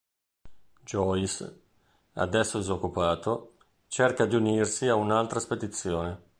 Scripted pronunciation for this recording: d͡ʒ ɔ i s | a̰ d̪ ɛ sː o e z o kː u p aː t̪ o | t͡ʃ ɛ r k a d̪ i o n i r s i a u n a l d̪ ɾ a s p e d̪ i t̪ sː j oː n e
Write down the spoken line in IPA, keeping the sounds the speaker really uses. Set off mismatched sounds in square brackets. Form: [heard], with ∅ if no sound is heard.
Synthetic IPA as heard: d͡ʒ ɔ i s | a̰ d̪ ɛ sː o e z o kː u p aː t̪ o | t͡ʃ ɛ r k a d̪ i [u] n i r s i a u n a l [t̪] ɾ a s p e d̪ i t̪ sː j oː n e

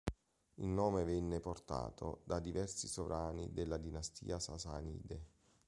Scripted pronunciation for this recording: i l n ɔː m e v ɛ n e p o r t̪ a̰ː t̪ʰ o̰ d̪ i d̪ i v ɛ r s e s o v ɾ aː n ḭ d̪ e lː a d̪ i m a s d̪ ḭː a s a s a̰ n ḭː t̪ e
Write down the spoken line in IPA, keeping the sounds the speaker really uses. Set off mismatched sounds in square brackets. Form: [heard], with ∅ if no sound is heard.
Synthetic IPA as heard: i l n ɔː m e v ɛ [nː] e p o r t̪ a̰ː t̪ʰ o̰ d̪ [a] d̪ i v ɛ r s [i] s o v ɾ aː n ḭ d̪ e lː a d̪ i [n] a s [t̪] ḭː a s a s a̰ n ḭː [d̪] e

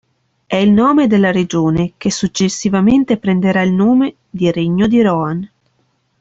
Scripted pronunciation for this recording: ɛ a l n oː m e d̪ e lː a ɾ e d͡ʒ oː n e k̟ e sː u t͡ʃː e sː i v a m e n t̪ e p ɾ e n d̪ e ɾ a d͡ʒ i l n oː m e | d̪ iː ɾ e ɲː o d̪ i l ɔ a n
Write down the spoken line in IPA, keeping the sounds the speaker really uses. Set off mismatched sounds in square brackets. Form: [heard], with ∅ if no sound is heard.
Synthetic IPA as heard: ɛ [i] l n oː m e d̪ e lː a ɾ e d͡ʒ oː n e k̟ e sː u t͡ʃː e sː i v a m e n t̪ e p ɾ e n d̪ e ɾ a [∅] i l n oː m e | d̪ [i] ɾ e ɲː o d̪ i [ɾ] ɔ a n

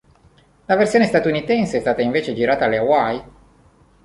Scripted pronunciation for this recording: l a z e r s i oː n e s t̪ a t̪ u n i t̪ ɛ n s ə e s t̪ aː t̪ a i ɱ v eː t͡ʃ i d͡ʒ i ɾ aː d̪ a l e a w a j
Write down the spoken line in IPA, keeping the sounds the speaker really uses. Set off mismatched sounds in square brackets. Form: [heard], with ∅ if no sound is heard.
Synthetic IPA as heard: l a [v] e r s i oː n e s t̪ a t̪ u n i t̪ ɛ n s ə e s t̪ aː t̪ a i ɱ v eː t͡ʃ [e] d͡ʒ i ɾ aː [t̪] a l e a w a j

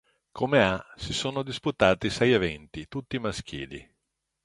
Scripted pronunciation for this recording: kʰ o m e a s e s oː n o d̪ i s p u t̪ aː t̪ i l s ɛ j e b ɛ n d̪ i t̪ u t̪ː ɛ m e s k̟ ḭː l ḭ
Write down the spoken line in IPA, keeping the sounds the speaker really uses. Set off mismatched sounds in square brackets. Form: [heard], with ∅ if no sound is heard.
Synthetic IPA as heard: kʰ o m e a s [i] s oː n o d̪ i s p u t̪ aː t̪ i [∅] s ɛ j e [v] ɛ n [t̪] i t̪ u t̪ː [i] m [a] s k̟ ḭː l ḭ

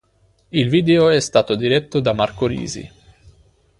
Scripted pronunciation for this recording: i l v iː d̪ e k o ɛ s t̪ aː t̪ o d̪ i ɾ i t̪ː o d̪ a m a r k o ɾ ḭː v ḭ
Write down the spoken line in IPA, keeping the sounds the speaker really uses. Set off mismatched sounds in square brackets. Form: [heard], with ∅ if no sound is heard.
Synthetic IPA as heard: i l v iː d̪ e [∅] o ɛ s t̪ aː t̪ o d̪ i ɾ [ɛ] t̪ː o d̪ a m a r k o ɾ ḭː [z] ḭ

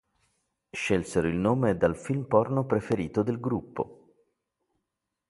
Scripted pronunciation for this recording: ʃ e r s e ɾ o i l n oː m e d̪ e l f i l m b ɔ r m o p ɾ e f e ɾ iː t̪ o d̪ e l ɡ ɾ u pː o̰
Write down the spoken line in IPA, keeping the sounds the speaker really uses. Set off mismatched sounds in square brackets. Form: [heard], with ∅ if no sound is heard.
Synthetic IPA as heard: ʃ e [l] s e ɾ o i l n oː m e d̪ [a] l f i l m [p] ɔ r [n] o p ɾ e f e ɾ iː t̪ o d̪ e l ɡ ɾ u pː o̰

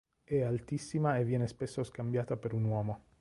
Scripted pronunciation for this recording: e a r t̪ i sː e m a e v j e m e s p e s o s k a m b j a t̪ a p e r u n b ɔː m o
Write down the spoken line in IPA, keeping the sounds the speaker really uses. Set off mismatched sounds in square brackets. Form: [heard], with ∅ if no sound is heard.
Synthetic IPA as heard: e a [l] t̪ i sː [i] m a e v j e [n] e s p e s o s k a m b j a t̪ a p e [ɾ] u n [w] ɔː m o

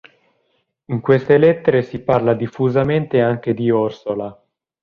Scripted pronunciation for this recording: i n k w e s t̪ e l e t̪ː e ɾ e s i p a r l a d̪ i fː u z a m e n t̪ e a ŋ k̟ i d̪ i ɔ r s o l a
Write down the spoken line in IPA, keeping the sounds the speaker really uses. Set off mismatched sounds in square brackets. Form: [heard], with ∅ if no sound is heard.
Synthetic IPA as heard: i [ŋ] k w e s t̪ e l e t̪ː e ɾ e s i p a r l a d̪ i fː u z a m e n t̪ e a ŋ k̟ [e] d̪ i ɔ r s o l a

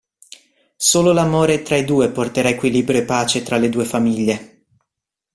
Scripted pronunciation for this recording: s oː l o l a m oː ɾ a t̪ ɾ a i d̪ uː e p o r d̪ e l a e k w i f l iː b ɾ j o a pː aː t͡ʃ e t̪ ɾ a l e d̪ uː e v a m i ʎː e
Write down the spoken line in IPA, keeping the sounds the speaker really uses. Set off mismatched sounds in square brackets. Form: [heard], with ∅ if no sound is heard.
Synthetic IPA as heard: s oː l o l a m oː ɾ [e] t̪ ɾ a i d̪ uː e p o r [t̪] e [ɾ] a e k w i [∅] l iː b ɾ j o [e] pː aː t͡ʃ e t̪ ɾ a l e d̪ uː e [f] a m i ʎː e

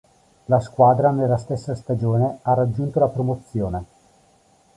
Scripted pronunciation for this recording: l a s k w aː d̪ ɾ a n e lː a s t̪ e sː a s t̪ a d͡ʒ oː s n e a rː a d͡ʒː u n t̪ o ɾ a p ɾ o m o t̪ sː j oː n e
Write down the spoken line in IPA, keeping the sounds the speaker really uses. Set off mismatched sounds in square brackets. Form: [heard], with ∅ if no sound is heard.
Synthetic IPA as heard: l a s k w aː d̪ ɾ a n e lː a s t̪ e sː a s t̪ a d͡ʒ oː [∅] n e a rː a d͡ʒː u n t̪ o [l] a p ɾ o m o t̪ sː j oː n e

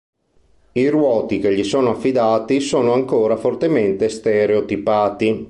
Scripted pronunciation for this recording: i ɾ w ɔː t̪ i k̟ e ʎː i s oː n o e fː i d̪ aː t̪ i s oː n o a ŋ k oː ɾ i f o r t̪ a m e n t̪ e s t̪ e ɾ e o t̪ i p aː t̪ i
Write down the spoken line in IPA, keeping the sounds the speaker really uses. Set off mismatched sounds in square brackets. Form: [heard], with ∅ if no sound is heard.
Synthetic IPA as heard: i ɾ w ɔː t̪ i k̟ e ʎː i s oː n o [a] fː i d̪ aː t̪ i s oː n o a ŋ k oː ɾ [a] f o r t̪ [e] m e n t̪ e s t̪ e ɾ e o t̪ i p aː t̪ i

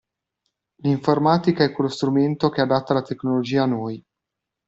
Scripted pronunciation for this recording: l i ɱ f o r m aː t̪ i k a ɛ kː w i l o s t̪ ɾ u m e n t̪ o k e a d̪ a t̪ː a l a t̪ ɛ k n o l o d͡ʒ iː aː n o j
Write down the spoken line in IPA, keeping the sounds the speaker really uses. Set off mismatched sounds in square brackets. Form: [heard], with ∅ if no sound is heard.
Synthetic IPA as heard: l i ɱ f o r m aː t̪ i k a ɛ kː w [e] l o s t̪ ɾ u m e n t̪ o k e a d̪ a t̪ː a l a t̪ [e] k n o l o d͡ʒ iː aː n o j

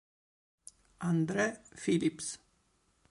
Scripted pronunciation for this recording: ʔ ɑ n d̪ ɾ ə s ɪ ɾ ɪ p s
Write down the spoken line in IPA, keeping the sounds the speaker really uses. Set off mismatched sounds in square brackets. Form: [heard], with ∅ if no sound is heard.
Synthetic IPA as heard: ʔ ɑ n d̪ ɾ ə [f] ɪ [l] ɪ p s

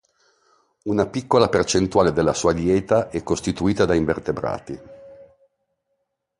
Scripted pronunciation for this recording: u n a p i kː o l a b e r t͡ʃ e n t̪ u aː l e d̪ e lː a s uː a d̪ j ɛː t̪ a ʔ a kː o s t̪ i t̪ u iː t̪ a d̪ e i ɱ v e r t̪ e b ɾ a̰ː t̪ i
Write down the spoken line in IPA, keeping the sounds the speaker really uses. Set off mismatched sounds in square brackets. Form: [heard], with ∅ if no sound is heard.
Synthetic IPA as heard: u n a p i kː o l a [p] e r t͡ʃ e n t̪ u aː l e d̪ e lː a s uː a d̪ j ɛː t̪ a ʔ [ɛ] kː o s t̪ i t̪ u iː t̪ a d̪ [a] i ɱ v e r t̪ e b ɾ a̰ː t̪ i

